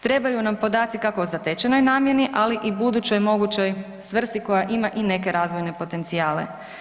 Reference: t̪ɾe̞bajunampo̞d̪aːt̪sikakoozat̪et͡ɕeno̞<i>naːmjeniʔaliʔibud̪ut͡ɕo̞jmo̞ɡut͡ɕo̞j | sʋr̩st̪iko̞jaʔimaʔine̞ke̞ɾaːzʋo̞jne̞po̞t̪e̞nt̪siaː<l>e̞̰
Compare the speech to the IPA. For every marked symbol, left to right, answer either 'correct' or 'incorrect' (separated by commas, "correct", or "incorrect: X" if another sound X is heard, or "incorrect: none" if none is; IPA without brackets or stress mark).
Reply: incorrect: j, correct